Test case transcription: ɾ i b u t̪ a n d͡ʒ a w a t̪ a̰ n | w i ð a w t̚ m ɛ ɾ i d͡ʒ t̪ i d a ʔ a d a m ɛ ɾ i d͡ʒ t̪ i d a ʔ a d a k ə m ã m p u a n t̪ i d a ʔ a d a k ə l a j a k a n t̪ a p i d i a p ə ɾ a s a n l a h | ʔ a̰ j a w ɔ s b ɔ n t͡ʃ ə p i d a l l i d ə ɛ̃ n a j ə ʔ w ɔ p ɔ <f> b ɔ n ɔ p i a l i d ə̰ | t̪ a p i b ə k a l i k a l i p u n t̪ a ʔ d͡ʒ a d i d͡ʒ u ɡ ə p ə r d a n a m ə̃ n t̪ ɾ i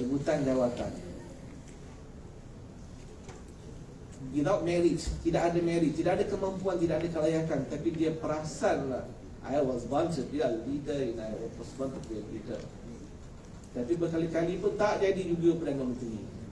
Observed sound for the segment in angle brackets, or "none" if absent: s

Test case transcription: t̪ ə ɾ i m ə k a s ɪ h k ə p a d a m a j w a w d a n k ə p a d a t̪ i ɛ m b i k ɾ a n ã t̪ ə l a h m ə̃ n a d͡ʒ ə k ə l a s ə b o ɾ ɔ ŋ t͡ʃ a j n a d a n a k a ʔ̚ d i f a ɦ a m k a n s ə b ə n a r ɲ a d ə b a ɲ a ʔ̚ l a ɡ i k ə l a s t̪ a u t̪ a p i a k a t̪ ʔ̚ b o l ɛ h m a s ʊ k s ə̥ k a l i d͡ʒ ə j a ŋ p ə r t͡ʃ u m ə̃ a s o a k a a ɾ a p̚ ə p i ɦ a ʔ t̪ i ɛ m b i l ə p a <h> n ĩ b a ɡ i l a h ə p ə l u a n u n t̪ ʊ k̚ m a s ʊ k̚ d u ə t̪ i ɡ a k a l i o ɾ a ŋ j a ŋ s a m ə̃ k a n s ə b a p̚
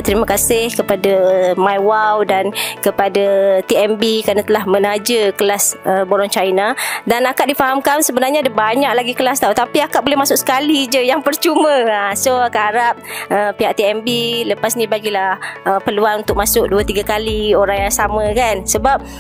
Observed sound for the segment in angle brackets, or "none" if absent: s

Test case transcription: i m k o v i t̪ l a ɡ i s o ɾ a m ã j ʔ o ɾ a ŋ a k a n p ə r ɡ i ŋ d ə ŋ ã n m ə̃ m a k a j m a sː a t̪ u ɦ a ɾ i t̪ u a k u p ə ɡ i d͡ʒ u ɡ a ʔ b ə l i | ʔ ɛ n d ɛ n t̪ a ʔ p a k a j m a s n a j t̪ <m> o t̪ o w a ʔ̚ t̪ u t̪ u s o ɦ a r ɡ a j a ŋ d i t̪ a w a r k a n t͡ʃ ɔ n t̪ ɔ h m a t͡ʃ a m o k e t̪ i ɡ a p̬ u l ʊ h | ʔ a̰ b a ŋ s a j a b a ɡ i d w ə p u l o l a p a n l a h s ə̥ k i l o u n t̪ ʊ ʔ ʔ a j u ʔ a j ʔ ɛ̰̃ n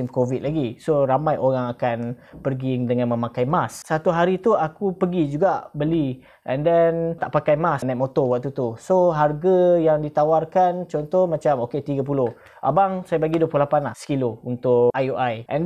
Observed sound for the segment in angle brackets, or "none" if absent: m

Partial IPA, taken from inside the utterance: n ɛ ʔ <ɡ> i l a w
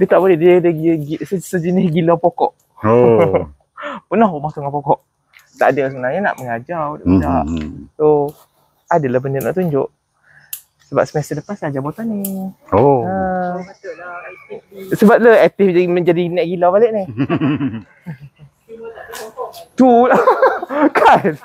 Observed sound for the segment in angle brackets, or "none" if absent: ɡ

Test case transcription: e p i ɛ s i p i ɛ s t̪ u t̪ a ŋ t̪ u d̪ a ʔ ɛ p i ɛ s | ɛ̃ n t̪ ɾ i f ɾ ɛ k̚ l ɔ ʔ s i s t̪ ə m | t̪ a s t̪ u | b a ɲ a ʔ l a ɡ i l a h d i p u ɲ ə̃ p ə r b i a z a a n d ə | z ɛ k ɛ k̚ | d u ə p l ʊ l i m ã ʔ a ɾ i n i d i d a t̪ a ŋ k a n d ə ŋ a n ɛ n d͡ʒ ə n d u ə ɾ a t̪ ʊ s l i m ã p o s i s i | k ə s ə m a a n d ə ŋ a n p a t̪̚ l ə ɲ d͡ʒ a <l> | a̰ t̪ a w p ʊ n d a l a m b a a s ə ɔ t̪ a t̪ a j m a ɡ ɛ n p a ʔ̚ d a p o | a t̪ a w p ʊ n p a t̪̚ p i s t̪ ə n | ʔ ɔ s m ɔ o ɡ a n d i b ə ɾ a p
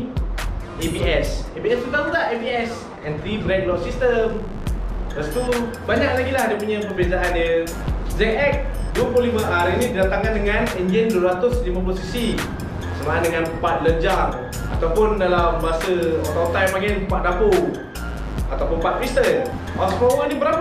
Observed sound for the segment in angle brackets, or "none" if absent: r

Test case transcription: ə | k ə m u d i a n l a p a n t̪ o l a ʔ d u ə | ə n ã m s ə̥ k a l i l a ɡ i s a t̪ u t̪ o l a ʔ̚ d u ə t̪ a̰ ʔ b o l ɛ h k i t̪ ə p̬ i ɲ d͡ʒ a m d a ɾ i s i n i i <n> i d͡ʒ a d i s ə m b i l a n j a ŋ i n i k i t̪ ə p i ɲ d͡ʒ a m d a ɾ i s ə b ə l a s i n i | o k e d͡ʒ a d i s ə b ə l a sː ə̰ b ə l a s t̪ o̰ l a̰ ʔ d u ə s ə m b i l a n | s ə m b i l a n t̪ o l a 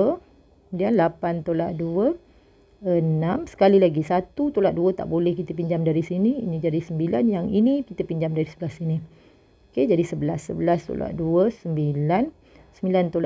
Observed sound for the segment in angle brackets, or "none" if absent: n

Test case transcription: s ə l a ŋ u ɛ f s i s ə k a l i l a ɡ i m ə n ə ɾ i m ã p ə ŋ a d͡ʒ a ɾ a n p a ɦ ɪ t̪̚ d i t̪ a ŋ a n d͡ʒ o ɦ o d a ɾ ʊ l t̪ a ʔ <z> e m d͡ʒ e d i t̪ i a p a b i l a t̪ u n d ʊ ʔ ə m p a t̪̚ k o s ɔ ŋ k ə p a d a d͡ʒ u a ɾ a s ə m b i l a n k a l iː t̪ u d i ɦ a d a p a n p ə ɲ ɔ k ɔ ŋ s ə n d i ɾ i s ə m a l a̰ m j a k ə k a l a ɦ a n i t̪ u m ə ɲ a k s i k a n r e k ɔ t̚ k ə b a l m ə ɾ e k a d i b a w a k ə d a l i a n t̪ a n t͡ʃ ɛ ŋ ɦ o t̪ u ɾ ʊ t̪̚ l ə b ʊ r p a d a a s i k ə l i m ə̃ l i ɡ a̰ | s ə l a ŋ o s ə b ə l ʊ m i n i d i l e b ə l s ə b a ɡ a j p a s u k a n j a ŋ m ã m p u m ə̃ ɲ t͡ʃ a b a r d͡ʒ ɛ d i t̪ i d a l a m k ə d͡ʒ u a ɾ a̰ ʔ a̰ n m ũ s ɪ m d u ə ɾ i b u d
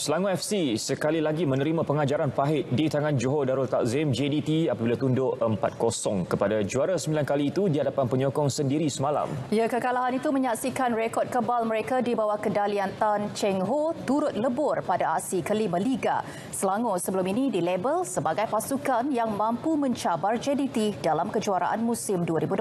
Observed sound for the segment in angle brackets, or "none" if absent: z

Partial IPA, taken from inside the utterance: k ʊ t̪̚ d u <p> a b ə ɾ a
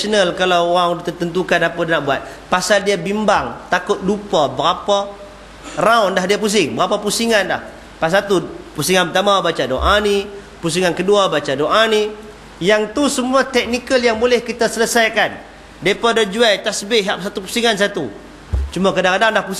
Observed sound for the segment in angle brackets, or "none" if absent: p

